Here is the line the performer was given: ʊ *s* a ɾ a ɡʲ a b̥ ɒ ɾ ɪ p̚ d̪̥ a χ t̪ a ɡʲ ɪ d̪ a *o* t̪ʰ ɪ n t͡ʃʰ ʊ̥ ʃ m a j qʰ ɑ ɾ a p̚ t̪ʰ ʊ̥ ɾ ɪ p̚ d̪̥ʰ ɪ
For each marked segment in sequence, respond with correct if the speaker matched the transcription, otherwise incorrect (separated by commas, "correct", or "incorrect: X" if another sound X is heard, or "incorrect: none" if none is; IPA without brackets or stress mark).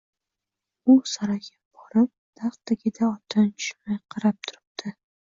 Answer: correct, incorrect: ɒ